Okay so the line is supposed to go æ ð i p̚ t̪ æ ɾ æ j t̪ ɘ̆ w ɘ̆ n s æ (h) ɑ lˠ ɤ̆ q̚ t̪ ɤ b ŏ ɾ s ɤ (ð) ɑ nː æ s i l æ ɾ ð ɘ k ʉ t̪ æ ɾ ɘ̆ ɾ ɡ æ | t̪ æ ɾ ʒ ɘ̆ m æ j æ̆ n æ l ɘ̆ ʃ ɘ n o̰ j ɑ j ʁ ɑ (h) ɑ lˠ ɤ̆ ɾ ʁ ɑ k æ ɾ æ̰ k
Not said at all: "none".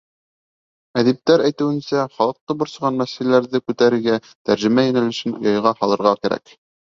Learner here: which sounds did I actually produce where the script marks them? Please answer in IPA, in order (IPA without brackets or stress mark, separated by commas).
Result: χ, ʁ, h